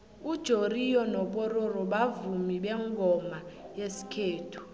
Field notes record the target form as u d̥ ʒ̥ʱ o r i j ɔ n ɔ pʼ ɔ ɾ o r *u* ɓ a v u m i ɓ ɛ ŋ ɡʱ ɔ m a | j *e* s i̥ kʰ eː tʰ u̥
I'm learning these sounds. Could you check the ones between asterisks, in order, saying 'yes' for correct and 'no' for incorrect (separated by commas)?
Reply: no, yes